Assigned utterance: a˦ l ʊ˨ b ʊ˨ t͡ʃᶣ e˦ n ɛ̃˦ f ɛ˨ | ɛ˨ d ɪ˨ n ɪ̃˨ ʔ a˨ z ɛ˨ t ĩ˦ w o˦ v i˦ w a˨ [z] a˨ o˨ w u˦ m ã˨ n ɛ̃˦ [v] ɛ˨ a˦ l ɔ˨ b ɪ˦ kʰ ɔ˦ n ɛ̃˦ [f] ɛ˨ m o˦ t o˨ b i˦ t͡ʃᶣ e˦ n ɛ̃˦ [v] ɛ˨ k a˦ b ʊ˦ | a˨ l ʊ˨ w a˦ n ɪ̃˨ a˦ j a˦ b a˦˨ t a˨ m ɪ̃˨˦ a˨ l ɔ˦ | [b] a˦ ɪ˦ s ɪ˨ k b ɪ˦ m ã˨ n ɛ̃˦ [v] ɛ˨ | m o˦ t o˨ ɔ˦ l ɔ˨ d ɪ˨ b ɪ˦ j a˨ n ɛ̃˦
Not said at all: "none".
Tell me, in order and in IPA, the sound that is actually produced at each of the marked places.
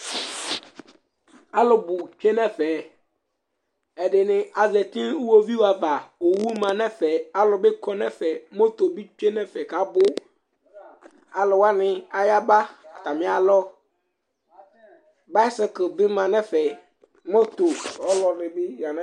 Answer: v, f, f, f, b, f

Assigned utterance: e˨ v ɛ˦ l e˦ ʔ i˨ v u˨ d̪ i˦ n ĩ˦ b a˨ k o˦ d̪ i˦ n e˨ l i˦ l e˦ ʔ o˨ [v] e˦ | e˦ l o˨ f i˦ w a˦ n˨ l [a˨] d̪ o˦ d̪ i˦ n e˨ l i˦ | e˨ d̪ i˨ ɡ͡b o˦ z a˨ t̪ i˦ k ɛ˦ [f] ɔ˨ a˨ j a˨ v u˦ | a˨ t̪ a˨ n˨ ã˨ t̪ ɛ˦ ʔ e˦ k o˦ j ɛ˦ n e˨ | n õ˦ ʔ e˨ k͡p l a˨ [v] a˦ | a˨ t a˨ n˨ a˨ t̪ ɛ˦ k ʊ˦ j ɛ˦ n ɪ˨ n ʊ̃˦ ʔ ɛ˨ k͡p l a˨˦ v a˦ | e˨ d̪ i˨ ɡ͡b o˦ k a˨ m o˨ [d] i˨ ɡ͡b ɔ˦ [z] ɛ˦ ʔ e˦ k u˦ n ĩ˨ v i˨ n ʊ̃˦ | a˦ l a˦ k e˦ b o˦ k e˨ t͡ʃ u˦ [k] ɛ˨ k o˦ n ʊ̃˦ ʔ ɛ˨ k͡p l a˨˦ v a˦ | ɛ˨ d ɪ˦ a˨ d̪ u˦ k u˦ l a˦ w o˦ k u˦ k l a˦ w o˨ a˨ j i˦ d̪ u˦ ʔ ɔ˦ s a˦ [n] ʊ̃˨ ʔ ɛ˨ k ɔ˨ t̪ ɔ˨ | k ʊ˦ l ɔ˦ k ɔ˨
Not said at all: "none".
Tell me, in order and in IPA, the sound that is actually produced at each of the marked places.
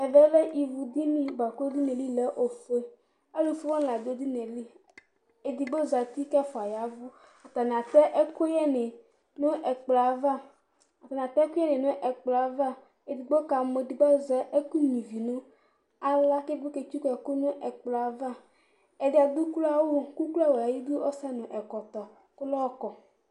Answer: f, a˨, f, v, d, z, k, n

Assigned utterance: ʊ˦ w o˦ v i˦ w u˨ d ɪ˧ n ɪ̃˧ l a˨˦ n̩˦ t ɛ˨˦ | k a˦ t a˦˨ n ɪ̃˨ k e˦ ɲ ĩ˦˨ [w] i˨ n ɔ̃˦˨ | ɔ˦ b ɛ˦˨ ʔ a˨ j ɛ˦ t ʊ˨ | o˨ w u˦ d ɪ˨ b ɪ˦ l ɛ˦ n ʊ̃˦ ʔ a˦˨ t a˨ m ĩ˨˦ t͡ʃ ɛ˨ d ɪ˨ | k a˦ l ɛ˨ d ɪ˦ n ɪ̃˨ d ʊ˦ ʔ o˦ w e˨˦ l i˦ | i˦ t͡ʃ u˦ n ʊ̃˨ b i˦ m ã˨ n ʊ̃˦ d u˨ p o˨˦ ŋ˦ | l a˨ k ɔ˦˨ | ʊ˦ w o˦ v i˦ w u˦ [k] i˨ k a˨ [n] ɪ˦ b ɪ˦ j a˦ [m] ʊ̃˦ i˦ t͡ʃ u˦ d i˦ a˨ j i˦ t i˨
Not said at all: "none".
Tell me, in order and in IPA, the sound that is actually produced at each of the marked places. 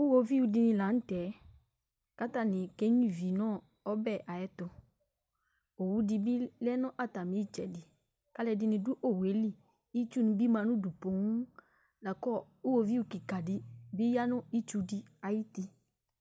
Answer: v, k, d, n

